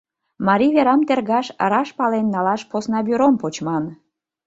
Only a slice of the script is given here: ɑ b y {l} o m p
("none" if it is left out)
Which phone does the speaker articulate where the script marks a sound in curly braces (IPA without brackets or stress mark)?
ɾ